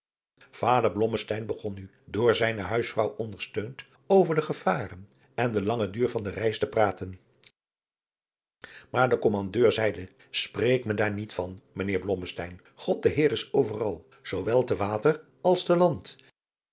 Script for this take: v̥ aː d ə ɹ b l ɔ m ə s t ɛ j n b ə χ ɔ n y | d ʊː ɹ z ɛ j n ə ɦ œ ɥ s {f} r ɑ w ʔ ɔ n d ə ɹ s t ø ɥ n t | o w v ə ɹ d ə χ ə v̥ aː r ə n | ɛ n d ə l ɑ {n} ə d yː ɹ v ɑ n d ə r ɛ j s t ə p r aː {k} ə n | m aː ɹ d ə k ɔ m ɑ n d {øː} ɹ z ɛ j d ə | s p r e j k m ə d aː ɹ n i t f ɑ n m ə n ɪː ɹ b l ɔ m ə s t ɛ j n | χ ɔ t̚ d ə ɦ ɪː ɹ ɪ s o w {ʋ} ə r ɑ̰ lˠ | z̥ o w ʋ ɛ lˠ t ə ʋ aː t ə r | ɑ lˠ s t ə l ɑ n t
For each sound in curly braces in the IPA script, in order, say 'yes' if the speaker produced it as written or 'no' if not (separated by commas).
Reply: yes, no, no, yes, no